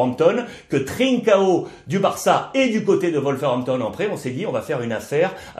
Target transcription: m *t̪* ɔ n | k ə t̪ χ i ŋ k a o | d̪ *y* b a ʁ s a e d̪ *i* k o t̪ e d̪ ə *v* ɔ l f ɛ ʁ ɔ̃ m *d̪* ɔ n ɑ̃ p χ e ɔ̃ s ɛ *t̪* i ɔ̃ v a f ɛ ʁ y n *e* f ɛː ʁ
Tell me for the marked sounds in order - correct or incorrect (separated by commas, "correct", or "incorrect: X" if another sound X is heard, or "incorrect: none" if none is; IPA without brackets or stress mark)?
correct, correct, incorrect: y, correct, incorrect: t̪, incorrect: d̪, incorrect: a